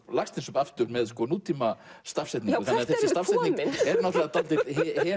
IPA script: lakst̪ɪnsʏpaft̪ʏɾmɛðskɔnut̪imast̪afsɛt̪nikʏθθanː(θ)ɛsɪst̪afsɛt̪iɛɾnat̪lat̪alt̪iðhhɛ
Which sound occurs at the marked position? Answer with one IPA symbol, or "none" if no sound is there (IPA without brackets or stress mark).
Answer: θ